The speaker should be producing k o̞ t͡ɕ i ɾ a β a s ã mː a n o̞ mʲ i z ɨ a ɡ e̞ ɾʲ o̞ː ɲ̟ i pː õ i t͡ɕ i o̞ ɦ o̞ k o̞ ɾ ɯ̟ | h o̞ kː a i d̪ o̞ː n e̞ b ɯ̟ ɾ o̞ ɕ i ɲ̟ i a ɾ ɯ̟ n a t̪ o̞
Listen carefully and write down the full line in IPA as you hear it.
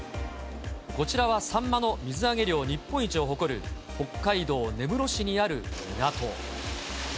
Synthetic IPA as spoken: k o̞ t͡ɕ i ɾ a β a s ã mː a n o̞ mʲ i z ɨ a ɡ e̞ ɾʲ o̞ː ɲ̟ i pː õ i t͡ɕ i o̞ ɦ o̞ k o̞ ɾ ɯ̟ | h o̞ kː a i d̪ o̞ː n e̞ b ɯ̟ ɾ o̞ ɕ i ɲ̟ i a ɾ ɯ̟ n a t̪ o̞

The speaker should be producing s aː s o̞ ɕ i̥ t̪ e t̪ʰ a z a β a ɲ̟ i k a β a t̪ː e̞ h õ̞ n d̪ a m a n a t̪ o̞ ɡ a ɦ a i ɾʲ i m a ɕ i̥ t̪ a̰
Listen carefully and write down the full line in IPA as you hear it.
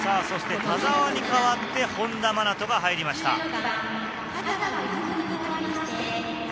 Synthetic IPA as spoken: s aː s o̞ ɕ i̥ t̪ e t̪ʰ a z a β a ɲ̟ i k a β a t̪ː e̞ h õ̞ n d̪ a m a n a t̪ o̞ ɡ a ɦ a i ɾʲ i m a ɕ i̥ t̪ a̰

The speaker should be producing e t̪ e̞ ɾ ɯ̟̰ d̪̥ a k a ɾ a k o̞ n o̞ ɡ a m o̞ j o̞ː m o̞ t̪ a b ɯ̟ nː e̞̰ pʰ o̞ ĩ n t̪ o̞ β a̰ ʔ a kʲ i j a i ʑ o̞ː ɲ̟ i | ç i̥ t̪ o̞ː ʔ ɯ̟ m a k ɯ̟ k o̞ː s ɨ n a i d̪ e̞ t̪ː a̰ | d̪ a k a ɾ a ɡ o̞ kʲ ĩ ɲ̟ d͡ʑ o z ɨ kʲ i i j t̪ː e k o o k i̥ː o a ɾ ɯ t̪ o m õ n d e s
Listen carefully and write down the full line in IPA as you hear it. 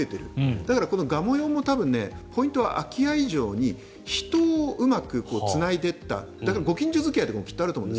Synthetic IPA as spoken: e t̪ e̞ ɾ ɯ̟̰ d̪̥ a k a ɾ a k o̞ n o̞ ɡ a m o̞ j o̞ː m o̞ t̪ a b ɯ̟̃ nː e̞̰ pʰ o̞ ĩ n t̪ o̞ β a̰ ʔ a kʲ i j a i ʑ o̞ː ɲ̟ i | ç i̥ t̪ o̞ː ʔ ɯ̟ m a k ɯ̟ k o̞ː t͡s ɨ n a i d̪ e̞ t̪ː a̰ | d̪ a k a ɾ a ɡ o̞ kʲ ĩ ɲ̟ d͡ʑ o z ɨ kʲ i a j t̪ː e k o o k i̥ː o a ɾ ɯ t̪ o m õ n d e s

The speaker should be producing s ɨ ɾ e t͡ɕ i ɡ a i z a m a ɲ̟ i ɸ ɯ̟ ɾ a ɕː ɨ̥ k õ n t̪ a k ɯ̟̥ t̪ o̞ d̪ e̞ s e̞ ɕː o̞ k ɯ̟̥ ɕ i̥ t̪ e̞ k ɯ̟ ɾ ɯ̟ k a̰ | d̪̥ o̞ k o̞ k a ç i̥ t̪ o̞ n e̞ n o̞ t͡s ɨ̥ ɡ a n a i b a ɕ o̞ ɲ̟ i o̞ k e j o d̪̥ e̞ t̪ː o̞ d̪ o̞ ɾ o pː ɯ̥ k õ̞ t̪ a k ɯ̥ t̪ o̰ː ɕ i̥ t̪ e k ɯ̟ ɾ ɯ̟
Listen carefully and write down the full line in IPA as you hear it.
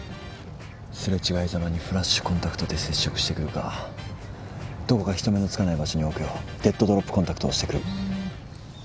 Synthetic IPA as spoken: s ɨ ɾ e t͡ɕ i ɡ a i z a m a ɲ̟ i ɸ ɯ̟ ɾ a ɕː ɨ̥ k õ n t̪ a k ɯ̟̥ t̪ o̞ d̪ e̞ s e̞ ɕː o̞ k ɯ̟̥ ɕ i̥ t̪ e̞ k ɯ̟ ɾ ɯ̟ k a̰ | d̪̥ o̞ k o̞ k a ç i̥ t̪ o̞ m e̞ n o̞ t͡s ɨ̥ k a n a i b a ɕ o̞ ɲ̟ i o̞ k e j o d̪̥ e̞ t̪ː o̞ d̪ o̞ ɾ o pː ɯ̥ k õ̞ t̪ a k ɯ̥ t̪ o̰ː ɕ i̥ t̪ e k ɯ̟ ɾ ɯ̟

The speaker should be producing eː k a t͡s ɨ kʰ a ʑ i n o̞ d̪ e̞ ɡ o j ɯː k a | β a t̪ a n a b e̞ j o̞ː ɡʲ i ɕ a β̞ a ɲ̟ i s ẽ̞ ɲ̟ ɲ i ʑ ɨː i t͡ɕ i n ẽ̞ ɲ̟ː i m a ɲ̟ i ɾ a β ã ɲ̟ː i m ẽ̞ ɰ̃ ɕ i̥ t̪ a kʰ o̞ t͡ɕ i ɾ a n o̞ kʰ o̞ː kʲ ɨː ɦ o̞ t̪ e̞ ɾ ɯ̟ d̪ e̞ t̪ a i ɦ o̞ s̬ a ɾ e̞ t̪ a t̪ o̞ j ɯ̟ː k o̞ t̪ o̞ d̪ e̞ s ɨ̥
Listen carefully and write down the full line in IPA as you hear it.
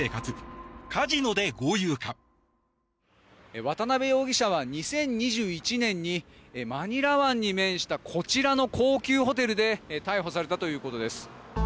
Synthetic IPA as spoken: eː k a t͡s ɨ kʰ a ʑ i n o̞ d̪ e̞ ɡ o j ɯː k a | β a t̪ a n a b e̞ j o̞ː ɡʲ i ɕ a β̞ a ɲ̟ i s ẽ̞ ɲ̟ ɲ i ʑ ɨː i t͡ɕ i n ẽ̞ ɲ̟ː i m a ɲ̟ i ɾ a β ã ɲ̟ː i m ẽ̞ ɰ̃ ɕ i̥ t̪ a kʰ o̞ t͡ɕ i ɾ a n o̞ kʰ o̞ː kʲ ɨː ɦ o̞ t̪ e̞ ɾ ɯ̟ d̪ e̞ t̪ a i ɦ o̞ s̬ a ɾ e̞ t̪ a t̪ o̞ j ɯ̟ː k o̞ t̪ o̞ d̪ e̞ s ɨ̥

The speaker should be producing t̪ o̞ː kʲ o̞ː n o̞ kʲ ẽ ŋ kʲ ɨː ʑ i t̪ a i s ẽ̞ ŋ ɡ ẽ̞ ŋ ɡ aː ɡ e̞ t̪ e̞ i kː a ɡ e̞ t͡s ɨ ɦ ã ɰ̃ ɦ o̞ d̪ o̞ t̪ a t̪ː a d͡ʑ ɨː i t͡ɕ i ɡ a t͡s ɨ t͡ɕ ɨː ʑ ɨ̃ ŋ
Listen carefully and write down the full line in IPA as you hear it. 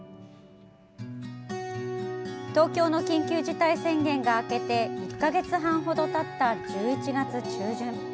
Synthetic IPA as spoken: t̪ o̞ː kʲ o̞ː n o̞ kʲ ĩ ŋ kʲ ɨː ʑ i t̪ a i s ẽ̞ ŋ ɡ ẽ̞ ŋ ɡ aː k e̞ t̪ e̞ i kː a ɡ e̞ t͡s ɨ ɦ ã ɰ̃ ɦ o̞ d̪ o̞ t̪ a t̪ː a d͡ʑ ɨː i t͡ɕ i ɡ a t͡s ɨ t͡ɕ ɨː ʑ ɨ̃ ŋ

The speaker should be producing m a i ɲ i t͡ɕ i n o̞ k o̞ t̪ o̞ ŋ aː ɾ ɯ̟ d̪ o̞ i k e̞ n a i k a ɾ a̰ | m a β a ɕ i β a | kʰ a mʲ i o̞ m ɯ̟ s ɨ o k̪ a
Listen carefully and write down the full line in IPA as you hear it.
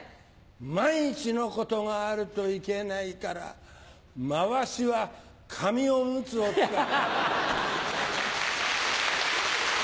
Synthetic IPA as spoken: m a i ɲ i t͡ɕ i n o̞ k o̞ t̪ o̞ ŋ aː ɾ ɯ̟ t̪ o̞ i k e̞ n a i k a ɾ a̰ | m a β a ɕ i β a | kʰ a mʲ i o̞ m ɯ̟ t͡s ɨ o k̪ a

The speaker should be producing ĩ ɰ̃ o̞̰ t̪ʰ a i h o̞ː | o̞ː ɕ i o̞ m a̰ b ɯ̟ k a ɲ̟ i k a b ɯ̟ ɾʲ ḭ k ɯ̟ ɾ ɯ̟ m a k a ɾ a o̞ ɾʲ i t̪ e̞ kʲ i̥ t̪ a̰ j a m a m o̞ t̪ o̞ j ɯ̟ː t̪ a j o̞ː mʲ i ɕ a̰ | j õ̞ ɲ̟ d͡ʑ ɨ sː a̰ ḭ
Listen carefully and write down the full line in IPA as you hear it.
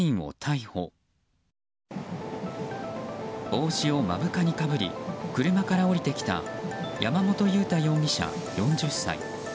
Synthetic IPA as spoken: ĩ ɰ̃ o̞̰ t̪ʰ a i h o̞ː | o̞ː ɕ i o̞ m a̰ b ɯ̟ k a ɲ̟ i k a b ɯ̟ ɾʲ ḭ k ɯ̟ ɾ ɯ̟ m a k a ɾ a o̞ ɾʲ i t̪ e̞ kʲ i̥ t̪ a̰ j a m a m o̞ t̪ o̞ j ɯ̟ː t̪ a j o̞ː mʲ i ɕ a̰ | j õ̞ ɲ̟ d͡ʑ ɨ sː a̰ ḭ

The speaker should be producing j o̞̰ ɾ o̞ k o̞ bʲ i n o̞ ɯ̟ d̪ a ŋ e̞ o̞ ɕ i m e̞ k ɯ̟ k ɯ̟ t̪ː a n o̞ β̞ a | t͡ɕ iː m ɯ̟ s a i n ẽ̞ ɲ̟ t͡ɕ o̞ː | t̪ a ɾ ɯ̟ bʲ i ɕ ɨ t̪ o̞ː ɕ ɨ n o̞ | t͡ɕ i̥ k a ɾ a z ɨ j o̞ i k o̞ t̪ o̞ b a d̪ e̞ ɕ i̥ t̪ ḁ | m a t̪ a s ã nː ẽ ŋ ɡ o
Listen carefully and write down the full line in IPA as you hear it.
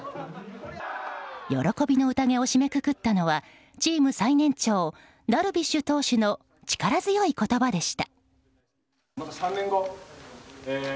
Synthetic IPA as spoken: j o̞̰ ɾ o̞ k o̞ bʲ i n o̞ ɯ̟ t̪ a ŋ e̞ o̞ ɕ i m e̞ k ɯ̟ k ɯ̟ t̪ː a n o̞ β̞ a | t͡ɕ iː m ɯ̟ s a i n ẽ̞ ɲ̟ t͡ɕ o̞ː | d̪ a ɾ ɯ̟ bʲ i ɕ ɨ t̪ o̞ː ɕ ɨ n o̞ | t͡ɕ i̥ k a ɾ a z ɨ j o̞ i k o̞ t̪ o̞ b a d̪ e̞ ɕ i̥ t̪ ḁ | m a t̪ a s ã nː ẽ ŋ ɡ o

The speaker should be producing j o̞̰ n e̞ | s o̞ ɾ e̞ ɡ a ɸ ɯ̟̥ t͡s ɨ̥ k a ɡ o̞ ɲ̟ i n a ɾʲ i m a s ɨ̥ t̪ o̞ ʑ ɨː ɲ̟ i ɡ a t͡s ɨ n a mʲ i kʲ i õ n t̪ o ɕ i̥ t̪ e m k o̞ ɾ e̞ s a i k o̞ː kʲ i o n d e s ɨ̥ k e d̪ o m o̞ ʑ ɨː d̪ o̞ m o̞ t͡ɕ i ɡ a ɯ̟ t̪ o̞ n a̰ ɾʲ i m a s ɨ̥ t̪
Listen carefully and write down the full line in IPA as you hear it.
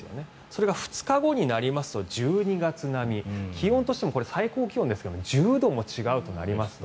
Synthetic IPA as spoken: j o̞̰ n e̞ | s o̞ ɾ e̞ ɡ a ɸ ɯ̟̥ t͡s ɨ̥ k a ɡ o̞ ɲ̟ i n a ɾʲ i m a s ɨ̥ t̪ o̞ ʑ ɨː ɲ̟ i ɡ a t͡s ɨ n a mʲ i kʲ i õ n t̪ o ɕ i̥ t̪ e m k o̞ ɾ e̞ s a i k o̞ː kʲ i o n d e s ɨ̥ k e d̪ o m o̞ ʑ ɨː d̪ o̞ m o̞ t͡ɕ i ɡ a ɯ̟ t̪ o̞ n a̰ ɾʲ i m a s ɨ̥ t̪

